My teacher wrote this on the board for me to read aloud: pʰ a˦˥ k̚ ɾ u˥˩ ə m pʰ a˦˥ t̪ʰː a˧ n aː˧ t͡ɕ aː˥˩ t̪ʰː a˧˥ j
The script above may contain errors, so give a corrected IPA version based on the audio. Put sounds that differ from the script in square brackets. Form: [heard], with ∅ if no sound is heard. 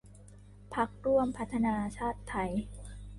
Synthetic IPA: pʰ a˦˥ k̚ ɾ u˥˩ ə m pʰ a˦˥ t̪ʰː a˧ n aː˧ [t͡ɕʰ] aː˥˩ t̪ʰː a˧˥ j